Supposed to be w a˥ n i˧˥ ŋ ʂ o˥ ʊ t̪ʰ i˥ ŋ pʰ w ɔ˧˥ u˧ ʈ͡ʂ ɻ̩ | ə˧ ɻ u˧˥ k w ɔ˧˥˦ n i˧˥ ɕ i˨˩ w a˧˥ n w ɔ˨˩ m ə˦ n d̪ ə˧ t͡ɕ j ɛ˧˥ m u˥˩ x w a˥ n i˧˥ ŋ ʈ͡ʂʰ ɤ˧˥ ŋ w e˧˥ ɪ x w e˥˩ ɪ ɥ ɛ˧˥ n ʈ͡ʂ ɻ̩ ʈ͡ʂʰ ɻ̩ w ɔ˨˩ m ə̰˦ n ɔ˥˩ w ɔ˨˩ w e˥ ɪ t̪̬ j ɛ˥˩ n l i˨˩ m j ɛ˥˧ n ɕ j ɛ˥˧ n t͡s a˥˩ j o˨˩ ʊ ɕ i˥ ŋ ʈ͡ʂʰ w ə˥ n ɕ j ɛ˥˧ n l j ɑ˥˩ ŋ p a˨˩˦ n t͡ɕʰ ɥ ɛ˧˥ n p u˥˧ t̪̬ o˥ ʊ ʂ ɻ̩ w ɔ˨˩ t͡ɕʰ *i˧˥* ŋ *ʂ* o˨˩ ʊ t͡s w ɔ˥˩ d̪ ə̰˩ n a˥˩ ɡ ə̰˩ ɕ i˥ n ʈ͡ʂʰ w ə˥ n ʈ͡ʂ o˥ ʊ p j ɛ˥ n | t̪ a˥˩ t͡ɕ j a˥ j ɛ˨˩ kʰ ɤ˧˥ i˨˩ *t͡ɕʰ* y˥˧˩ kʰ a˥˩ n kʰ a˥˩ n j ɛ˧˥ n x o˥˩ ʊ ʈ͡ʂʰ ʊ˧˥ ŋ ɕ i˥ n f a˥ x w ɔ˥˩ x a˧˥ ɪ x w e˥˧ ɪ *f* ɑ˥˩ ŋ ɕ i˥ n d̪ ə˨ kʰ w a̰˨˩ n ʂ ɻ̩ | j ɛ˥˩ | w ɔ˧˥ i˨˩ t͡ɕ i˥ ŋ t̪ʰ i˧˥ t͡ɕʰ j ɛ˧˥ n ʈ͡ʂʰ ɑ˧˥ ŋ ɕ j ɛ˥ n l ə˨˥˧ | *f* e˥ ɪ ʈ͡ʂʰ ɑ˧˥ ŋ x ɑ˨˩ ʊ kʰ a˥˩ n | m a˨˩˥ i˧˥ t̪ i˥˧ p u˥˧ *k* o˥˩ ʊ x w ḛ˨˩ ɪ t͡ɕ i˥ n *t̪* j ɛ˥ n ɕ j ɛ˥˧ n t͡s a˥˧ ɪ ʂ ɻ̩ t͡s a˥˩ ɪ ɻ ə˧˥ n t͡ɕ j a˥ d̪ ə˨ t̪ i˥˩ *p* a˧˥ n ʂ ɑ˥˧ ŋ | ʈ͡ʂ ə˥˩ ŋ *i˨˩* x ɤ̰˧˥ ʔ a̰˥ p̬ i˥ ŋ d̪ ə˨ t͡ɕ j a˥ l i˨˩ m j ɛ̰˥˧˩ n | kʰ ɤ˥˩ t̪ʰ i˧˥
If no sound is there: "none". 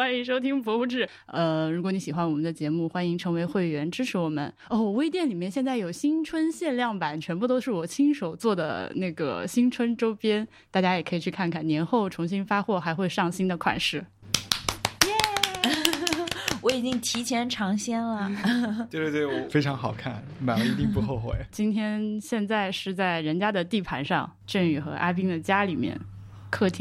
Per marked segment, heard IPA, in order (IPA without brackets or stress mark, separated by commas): i˥, ʂ, t͡ɕʰ, ʂ, f, x, t̪ʰ, pʰ, y˨˩